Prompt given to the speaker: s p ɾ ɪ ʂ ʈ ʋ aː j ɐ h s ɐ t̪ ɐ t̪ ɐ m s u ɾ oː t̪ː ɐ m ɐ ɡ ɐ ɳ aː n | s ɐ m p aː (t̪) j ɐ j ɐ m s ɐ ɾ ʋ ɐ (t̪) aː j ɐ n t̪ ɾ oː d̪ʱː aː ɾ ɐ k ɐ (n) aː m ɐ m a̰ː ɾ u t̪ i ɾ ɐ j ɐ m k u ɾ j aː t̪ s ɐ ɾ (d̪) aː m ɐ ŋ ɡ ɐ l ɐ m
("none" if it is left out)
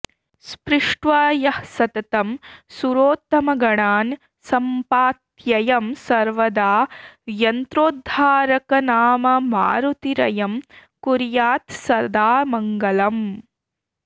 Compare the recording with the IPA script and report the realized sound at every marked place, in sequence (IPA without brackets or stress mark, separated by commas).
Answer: t̪, d̪, n, d̪